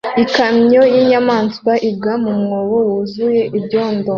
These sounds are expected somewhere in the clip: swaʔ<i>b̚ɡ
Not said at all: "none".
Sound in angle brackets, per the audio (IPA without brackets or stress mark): i